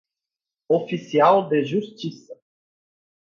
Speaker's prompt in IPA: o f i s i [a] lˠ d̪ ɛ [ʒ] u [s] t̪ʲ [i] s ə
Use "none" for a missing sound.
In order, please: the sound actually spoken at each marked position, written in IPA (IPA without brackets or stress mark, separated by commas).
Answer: a, ʒ, s, i